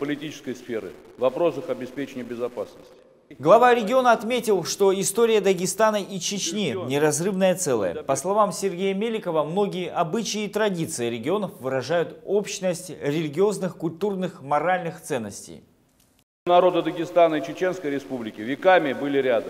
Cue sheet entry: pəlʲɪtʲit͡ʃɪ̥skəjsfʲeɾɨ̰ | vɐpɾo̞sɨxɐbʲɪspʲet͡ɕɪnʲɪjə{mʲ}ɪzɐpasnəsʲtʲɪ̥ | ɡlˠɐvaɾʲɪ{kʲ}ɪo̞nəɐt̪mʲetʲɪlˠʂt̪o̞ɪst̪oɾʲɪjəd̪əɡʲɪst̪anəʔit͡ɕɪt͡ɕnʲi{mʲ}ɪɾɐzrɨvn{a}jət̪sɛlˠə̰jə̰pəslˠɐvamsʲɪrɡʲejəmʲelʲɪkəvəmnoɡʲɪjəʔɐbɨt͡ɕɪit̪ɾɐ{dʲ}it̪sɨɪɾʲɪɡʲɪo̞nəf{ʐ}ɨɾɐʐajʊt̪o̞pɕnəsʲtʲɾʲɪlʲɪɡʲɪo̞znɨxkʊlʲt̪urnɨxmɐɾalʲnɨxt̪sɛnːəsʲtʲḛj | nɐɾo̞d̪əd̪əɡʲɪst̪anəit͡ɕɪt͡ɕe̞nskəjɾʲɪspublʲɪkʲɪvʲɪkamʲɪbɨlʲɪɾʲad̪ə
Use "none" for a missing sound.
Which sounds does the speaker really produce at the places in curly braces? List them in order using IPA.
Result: bʲ, ɡʲ, nʲ, ə, dʲ, v

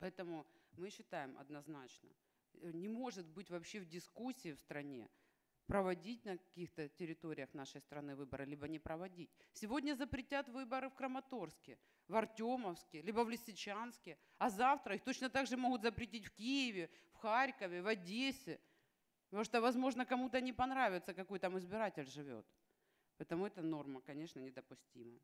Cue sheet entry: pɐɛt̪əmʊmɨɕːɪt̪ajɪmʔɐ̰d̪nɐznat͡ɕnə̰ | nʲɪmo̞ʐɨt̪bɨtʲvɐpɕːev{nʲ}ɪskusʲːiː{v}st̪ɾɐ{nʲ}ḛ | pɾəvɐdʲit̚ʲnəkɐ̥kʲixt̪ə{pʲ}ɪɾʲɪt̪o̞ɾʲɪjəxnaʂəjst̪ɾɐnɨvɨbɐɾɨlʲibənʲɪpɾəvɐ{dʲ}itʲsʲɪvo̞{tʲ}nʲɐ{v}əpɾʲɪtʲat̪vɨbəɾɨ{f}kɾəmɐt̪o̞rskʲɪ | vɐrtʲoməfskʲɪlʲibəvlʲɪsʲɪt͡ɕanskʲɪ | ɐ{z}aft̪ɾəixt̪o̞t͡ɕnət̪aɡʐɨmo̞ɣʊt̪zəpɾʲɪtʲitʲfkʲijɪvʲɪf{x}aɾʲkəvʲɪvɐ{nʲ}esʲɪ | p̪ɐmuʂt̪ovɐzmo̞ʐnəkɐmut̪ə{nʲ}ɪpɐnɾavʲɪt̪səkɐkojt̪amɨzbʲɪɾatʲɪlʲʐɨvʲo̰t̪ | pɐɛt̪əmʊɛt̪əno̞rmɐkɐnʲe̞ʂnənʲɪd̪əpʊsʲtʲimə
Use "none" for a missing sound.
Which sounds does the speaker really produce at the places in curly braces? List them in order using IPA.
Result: dʲ, f, nʲ, tʲ, dʲ, dʲ, z, f, z, x, dʲ, nʲ

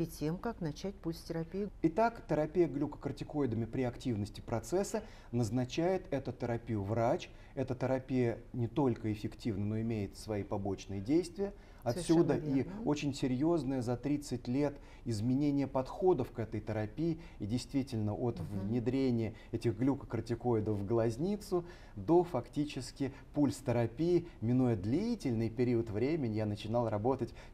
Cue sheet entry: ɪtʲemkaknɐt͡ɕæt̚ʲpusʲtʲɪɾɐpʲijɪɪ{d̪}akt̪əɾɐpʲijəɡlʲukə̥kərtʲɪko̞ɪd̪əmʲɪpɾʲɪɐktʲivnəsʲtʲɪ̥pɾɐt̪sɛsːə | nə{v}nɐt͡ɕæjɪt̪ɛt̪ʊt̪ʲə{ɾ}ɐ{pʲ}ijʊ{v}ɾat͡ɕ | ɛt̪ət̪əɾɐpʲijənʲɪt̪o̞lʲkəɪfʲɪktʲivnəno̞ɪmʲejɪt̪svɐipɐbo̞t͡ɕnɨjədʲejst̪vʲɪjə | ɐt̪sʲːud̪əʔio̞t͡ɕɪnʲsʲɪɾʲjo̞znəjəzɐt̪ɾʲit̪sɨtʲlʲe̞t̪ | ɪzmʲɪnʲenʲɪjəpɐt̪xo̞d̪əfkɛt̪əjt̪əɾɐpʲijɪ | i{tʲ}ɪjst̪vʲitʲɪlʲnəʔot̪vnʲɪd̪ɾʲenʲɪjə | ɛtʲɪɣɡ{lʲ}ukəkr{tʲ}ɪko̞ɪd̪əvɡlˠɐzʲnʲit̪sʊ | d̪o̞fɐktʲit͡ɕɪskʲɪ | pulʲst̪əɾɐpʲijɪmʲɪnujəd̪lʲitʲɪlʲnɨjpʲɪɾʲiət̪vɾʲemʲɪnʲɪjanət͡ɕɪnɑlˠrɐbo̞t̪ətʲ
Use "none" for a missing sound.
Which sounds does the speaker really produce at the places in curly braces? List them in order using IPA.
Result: t̪, z, ɾ, pʲ, v, dʲ, lʲ, tʲ

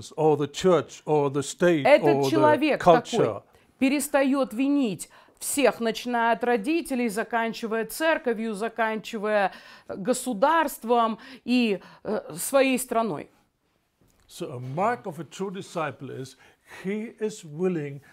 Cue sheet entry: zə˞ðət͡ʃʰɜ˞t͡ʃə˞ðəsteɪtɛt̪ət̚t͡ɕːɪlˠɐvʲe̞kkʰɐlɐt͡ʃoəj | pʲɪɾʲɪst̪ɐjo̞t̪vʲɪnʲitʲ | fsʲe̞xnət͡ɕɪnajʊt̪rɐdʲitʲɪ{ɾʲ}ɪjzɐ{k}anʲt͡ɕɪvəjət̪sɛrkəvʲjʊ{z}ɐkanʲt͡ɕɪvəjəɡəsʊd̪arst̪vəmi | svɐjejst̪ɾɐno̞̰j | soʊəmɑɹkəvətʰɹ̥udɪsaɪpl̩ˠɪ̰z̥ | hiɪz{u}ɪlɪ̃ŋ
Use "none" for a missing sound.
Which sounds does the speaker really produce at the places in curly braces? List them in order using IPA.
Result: lʲ, k, z, w

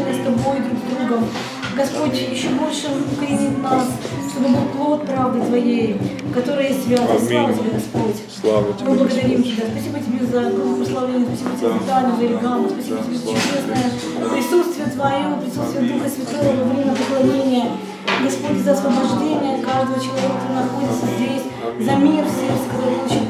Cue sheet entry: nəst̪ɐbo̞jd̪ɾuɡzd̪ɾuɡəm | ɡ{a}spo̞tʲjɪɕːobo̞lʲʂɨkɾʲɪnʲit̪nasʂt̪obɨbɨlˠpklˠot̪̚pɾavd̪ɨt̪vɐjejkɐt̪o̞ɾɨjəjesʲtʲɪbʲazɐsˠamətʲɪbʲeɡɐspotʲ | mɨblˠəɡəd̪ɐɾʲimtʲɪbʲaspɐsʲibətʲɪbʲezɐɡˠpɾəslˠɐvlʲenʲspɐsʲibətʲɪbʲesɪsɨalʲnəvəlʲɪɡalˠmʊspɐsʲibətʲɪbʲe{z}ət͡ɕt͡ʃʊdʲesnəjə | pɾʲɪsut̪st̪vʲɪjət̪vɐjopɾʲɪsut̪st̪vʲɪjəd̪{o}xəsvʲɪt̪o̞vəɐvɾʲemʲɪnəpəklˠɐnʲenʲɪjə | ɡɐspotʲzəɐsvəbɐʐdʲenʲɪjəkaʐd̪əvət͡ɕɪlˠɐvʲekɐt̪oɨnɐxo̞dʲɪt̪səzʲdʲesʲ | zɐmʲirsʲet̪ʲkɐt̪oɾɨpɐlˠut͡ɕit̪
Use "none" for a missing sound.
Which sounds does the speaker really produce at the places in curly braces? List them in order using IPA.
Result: ɐ, z, u

